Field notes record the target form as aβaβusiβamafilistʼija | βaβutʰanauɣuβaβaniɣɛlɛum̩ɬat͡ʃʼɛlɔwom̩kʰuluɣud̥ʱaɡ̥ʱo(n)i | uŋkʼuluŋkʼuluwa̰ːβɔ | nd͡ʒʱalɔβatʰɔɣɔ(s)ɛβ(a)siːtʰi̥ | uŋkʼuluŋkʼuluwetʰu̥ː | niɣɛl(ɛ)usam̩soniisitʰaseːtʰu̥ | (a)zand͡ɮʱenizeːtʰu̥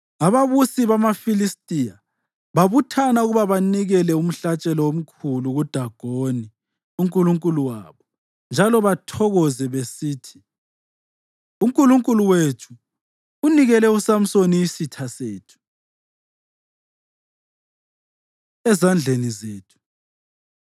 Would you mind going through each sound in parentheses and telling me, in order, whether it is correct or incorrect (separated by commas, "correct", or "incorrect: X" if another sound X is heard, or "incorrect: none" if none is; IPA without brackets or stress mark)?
correct, incorrect: z, incorrect: e, correct, incorrect: ɛ